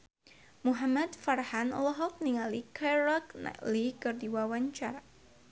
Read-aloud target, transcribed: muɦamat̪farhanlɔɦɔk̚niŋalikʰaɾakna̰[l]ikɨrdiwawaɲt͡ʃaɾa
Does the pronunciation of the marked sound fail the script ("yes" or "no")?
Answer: no